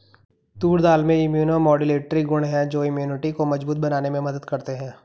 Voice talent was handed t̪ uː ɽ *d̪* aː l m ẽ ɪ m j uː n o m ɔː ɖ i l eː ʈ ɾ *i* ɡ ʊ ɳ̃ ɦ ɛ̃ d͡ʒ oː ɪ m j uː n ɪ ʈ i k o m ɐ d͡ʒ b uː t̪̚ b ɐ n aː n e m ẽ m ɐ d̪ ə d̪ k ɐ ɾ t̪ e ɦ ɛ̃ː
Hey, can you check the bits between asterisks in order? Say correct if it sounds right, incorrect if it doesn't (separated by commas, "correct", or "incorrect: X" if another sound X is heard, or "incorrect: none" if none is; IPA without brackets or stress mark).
correct, correct